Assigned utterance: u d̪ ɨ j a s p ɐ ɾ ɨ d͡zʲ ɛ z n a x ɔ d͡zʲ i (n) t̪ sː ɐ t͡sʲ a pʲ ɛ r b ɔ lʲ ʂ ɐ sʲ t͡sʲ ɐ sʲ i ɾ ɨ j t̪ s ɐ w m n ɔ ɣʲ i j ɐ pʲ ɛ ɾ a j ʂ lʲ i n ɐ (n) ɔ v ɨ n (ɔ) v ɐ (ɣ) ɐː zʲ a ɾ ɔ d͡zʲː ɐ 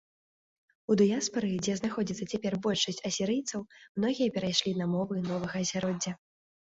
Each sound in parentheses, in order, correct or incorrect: incorrect: none, incorrect: m, correct, correct

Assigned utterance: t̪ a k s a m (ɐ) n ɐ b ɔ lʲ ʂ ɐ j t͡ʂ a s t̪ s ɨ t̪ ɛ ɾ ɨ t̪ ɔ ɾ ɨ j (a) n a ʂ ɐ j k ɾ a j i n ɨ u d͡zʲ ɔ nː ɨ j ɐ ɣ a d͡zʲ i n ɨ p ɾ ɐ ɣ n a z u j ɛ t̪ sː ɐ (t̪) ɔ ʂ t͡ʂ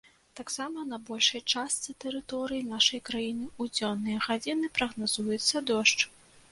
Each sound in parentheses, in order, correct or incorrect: correct, incorrect: i, incorrect: d̪

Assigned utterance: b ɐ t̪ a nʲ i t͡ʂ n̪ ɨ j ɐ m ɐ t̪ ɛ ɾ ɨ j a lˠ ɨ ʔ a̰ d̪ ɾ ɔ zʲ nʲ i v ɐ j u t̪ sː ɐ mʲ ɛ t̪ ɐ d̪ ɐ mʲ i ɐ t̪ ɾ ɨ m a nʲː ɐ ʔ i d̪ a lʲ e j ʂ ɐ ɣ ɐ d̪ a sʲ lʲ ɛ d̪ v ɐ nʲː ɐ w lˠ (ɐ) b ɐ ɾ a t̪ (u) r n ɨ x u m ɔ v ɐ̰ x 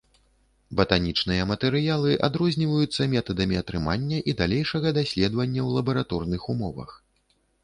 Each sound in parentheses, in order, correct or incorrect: correct, incorrect: ɔ

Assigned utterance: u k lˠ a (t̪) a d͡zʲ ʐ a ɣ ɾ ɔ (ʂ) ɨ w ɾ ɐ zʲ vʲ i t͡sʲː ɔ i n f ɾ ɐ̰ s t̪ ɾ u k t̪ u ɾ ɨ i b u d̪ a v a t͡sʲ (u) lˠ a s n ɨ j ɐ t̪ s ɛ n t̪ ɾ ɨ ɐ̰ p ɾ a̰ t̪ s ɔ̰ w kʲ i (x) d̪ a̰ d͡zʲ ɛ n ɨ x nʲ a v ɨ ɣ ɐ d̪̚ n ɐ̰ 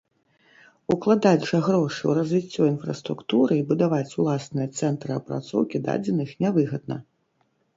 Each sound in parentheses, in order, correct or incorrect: incorrect: d̪, correct, correct, incorrect: none

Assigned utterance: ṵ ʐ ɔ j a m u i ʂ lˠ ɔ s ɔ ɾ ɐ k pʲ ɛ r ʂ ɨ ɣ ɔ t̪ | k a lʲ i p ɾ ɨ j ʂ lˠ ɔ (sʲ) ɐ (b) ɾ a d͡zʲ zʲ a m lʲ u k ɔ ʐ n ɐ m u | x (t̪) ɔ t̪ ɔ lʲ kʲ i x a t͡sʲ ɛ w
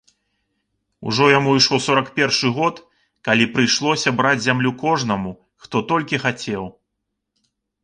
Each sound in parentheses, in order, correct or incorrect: correct, correct, correct

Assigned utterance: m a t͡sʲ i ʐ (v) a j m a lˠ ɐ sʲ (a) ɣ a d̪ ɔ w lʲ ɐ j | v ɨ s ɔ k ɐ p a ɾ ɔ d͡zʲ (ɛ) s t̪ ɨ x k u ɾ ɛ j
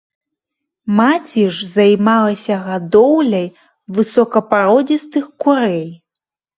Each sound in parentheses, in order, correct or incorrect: incorrect: z, incorrect: ɐ, incorrect: i

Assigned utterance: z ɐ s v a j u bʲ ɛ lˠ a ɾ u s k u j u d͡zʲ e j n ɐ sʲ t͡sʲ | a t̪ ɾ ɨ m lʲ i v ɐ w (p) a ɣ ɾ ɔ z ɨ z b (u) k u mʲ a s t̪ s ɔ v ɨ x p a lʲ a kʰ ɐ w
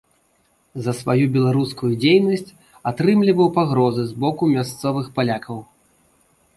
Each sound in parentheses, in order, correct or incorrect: correct, incorrect: ɔ

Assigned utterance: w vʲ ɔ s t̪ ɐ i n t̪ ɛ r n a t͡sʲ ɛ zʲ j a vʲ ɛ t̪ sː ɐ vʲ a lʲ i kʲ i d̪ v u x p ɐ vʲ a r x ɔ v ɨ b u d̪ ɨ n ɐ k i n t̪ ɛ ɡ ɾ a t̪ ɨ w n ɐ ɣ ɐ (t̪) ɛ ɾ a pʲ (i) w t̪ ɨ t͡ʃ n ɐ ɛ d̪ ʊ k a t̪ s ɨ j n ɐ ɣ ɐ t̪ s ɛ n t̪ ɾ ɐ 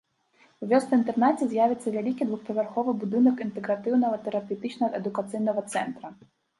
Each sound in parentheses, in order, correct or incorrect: correct, incorrect: ɛ

